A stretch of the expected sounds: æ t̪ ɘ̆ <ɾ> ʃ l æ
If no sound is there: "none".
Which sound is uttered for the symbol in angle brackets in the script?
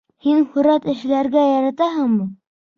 none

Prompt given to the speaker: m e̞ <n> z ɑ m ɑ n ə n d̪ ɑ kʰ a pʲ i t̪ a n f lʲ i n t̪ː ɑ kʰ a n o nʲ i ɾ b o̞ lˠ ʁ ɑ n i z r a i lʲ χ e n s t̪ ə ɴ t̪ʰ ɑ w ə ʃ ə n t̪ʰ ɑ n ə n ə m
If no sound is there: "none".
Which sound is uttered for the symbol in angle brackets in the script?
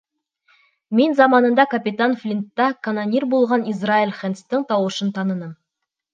n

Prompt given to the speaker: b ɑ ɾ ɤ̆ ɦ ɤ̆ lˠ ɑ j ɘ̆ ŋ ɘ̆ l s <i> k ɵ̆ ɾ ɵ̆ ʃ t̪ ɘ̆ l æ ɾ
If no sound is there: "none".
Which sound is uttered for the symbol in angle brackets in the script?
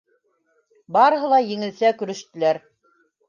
æ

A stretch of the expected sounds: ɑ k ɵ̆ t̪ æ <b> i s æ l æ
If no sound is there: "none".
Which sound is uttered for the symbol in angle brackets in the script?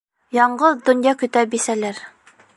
b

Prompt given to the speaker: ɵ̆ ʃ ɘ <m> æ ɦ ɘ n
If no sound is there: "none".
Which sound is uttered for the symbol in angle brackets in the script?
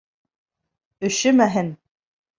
m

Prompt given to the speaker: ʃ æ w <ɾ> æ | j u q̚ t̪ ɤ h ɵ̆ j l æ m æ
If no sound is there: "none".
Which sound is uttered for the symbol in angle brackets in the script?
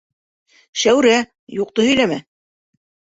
ɾ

